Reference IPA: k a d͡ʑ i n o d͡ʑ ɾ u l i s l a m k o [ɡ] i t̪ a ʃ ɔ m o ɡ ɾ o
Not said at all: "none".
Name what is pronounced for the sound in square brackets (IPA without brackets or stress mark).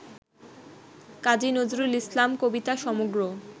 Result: b